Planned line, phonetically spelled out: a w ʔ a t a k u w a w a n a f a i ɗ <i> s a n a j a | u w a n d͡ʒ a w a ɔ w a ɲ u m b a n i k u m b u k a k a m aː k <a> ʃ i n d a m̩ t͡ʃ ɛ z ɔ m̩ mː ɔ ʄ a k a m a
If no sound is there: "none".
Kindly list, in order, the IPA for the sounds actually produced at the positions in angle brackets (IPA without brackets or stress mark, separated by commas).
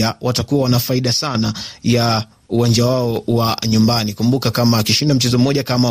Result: a, i